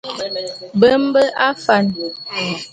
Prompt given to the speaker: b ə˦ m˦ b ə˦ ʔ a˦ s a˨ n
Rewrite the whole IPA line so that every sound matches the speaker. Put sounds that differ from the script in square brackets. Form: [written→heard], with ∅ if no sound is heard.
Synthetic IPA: b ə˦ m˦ b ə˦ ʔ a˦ [s→f] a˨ n

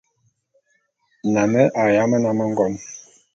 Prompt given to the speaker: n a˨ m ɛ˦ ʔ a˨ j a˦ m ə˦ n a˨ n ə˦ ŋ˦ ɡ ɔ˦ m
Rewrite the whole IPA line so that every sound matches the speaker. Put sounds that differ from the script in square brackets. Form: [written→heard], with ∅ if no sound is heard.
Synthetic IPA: n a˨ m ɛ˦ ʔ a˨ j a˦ m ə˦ n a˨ [n→m] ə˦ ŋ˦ ɡ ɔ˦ m

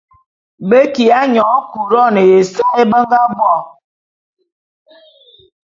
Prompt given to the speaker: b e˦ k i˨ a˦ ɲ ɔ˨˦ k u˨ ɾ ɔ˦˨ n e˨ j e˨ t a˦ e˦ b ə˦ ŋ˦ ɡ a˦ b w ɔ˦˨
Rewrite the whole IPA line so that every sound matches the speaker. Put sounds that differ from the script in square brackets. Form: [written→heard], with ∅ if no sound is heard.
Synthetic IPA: b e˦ k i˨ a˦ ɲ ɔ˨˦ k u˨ ɾ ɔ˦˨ n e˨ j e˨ [t→s] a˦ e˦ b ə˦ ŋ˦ ɡ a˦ b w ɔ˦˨

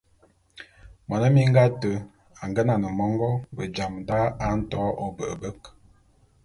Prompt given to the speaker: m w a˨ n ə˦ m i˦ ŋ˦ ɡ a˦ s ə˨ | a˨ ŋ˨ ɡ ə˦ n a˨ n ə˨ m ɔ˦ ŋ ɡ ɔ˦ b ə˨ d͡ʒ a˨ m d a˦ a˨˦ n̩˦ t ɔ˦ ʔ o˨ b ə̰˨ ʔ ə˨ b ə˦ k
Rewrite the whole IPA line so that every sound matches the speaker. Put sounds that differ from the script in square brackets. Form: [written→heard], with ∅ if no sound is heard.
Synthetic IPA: m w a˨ n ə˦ m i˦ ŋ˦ ɡ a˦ [s→t] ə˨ | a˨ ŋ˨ ɡ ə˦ n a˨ n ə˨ m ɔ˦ ŋ ɡ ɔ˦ b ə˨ d͡ʒ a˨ m d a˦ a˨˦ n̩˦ t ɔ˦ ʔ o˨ b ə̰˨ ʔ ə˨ b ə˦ k

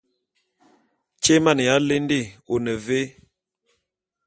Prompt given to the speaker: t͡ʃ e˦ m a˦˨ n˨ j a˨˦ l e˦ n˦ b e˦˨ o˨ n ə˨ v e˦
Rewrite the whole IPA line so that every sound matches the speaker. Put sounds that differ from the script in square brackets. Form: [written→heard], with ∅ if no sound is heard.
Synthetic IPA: t͡ʃ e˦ m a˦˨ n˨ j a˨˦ l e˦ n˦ [b→d] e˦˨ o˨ n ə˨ v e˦

